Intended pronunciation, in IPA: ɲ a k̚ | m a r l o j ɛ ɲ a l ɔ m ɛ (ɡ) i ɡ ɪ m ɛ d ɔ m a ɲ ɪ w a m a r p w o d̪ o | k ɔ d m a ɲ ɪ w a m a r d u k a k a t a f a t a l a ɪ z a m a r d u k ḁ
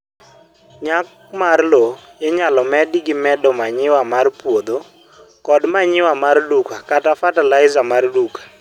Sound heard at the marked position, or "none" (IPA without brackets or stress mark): d